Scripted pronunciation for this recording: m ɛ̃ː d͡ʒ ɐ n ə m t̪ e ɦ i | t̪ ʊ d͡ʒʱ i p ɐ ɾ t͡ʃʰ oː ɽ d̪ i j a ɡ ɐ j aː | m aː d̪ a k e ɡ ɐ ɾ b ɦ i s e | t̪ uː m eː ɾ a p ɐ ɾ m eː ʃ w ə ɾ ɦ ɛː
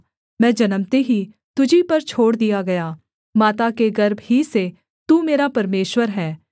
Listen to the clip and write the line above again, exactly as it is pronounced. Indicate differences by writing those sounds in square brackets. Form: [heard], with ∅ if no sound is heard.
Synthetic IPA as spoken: m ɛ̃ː d͡ʒ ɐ n ə m t̪ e ɦ i | t̪ ʊ d͡ʒʱ i p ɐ ɾ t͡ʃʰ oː ɽ d̪ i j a ɡ ɐ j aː | m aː [t̪] a k e ɡ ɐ ɾ b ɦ i s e | t̪ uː m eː ɾ a p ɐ ɾ m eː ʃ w ə ɾ ɦ ɛː